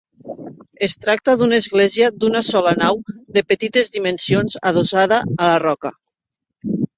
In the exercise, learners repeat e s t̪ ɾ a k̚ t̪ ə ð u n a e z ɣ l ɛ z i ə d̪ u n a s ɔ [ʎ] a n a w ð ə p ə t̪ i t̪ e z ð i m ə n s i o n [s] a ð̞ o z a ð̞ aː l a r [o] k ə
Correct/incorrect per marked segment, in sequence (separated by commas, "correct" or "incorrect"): incorrect, incorrect, incorrect